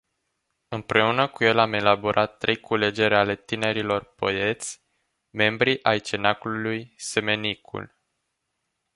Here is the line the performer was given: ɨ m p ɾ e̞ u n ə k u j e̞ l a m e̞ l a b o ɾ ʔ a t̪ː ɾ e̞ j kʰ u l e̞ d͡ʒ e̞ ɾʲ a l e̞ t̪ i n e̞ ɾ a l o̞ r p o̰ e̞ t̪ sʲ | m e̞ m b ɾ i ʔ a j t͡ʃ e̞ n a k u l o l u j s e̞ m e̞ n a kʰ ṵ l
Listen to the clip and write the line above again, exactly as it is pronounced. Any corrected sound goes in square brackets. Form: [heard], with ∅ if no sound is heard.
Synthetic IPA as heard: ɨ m p ɾ e̞ u n ə k u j e̞ l a m e̞ l a b o ɾ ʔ a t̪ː ɾ e̞ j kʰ u l e̞ d͡ʒ e̞ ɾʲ a l e̞ t̪ i n e̞ ɾ [i] l o̞ r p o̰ e̞ t̪ sʲ | m e̞ m b ɾ i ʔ a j t͡ʃ e̞ n a k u l [u] l u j s e̞ m e̞ n [i] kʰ ṵ l

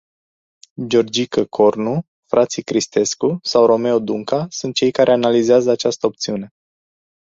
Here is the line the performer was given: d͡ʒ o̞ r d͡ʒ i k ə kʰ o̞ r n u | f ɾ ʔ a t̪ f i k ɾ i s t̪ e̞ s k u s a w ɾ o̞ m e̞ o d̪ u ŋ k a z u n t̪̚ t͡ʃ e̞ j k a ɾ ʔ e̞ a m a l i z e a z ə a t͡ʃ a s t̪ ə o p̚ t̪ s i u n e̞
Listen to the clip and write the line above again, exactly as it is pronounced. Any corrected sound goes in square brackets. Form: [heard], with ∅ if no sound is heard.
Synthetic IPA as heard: d͡ʒ o̞ r d͡ʒ i k ə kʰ o̞ r n u | f ɾ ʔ a t̪ [s] i k ɾ i s t̪ e̞ s k u s a w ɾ o̞ m e̞ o d̪ u ŋ k a [s] u n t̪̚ t͡ʃ e̞ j k a ɾ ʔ e̞ a [n] a l i z e a z ə a t͡ʃ a s t̪ ə o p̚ t̪ s i u n e̞

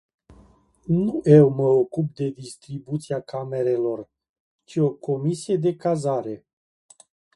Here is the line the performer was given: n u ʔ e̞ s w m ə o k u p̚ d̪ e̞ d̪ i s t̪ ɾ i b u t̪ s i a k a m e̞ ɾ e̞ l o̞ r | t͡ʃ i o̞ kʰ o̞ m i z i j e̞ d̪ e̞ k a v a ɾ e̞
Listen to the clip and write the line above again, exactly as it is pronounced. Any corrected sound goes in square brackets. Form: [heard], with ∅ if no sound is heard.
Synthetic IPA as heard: n u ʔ e̞ [∅] w m ə o k u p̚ d̪ e̞ d̪ i s t̪ ɾ i b u t̪ s i a k a m e̞ ɾ e̞ l o̞ r | t͡ʃ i o̞ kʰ o̞ m i [s] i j e̞ d̪ e̞ k a [z] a ɾ e̞

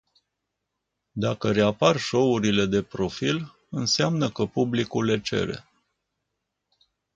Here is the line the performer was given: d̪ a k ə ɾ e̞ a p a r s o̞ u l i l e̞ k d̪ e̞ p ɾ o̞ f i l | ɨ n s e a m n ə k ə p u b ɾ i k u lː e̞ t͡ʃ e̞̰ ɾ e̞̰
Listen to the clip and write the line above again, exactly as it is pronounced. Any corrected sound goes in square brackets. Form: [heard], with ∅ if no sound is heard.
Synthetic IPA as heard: d̪ a k ə ɾ e̞ a p a r [ʃ] o̞ u [ɾ] i l e̞ [∅] d̪ e̞ p ɾ o̞ f i l | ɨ n s e a m n ə k ə p u b [l] i k u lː e̞ t͡ʃ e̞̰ ɾ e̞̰

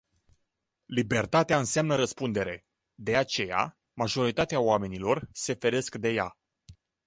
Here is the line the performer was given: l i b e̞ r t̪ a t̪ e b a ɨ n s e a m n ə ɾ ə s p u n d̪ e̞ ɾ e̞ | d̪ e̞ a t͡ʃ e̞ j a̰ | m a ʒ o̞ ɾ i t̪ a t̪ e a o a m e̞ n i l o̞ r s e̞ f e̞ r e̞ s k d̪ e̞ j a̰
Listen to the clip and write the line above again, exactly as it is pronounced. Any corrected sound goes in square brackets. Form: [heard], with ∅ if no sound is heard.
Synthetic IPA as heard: l i b e̞ r t̪ a t̪ e [∅] a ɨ n s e a m n ə ɾ ə s p u n d̪ e̞ ɾ e̞ | d̪ e̞ a t͡ʃ e̞ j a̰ | m a ʒ o̞ ɾ i t̪ a t̪ e a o a m e̞ n i l o̞ r s e̞ f e̞ [ɾ] e̞ s k d̪ e̞ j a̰

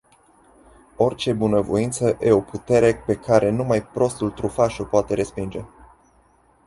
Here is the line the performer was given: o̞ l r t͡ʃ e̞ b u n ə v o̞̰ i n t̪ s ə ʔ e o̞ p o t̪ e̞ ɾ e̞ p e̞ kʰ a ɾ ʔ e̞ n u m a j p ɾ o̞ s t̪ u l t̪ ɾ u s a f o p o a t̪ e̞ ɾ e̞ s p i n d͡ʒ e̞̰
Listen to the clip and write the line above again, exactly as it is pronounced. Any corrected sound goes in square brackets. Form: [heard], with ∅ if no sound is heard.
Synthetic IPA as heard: o̞ [∅] r t͡ʃ e̞ b u n ə v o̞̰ i n t̪ s ə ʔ e o̞ p [u] t̪ e̞ ɾ e̞ p e̞ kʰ a ɾ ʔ e̞ n u m a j p ɾ o̞ s t̪ u l t̪ ɾ u [f] a [ʃ] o p o a t̪ e̞ ɾ e̞ s p i n d͡ʒ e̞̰

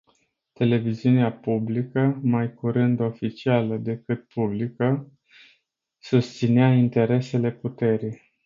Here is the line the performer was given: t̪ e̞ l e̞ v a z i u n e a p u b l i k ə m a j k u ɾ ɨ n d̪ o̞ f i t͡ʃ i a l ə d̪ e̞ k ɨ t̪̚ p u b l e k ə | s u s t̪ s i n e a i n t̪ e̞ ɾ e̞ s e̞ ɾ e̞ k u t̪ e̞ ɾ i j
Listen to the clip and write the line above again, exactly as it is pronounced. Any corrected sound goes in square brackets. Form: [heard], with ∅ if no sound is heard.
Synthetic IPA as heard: t̪ e̞ l e̞ v [i] z i u n e a p u b l i k ə m a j k u ɾ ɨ n d̪ o̞ f i t͡ʃ i a l ə d̪ e̞ k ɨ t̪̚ p u b l [i] k ə | s u s t̪ s i n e a i n t̪ e̞ ɾ e̞ s e̞ [l] e̞ [p] u t̪ e̞ ɾ i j

